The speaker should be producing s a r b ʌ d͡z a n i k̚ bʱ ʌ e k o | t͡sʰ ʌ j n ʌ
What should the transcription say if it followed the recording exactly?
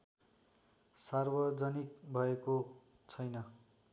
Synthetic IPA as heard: s a r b ʌ d͡z ʌ n i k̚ bʱ ʌ e k o | t͡sʰ ʌ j n ʌ